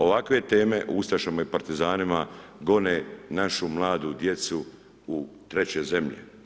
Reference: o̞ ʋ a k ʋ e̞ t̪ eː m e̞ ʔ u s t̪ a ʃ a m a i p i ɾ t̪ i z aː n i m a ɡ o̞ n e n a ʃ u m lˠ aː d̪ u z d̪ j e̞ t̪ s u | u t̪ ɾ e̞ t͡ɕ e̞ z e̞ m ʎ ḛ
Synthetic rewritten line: o̞ ʋ a k ʋ e̞ t̪ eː m e̞ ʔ u s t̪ a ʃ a m a i p a ɾ t̪ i z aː n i m a ɡ o̞ n e n a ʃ u m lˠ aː d̪ u d̪ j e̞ t̪ s u | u t̪ ɾ e̞ t͡ɕ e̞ z e̞ m ʎ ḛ